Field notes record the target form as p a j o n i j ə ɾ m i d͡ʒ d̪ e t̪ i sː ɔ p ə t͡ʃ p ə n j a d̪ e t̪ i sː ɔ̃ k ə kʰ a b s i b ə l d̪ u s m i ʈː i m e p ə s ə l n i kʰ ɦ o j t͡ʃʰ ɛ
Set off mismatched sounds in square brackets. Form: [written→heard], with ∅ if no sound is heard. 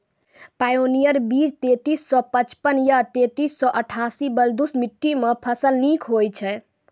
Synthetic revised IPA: p a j o n i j ə ɾ [m→b] i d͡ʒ [d̪→t̪] e t̪ i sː ɔ p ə t͡ʃ p ə n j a [d̪→t̪] e t̪ i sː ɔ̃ [k→ʔ] ə [kʰ→ʈʰ] a [b→∅] s i b ə l d̪ u s m i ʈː i m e [p→pʰ] ə s ə l n i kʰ ɦ o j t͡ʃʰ ɛ